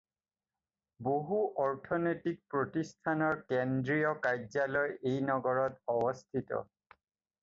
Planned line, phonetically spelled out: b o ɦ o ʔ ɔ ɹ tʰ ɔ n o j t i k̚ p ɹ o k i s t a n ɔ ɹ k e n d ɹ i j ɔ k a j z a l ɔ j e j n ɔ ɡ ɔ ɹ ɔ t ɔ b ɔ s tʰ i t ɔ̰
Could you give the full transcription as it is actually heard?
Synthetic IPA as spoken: b o ɦ u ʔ ɔ ɹ tʰ ɔ n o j t i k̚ p ɹ o t i s tʰ a n ɔ ɹ k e n d ɹ i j ɔ k a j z a l ɔ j e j n ɔ ɡ ɔ ɹ ɔ t ɔ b ɔ s tʰ i t ɔ̰